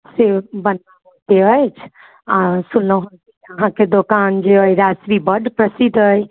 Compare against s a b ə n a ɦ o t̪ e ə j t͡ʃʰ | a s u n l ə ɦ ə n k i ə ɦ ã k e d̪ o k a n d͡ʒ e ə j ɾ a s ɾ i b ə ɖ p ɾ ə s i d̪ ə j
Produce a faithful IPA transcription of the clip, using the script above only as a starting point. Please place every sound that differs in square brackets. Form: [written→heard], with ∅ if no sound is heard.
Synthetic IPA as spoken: s [a→e] b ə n a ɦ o t̪ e ə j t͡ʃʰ | a s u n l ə ɦ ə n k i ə ɦ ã k e d̪ o k a n d͡ʒ e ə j ɾ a s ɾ i b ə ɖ p ɾ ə s i d̪ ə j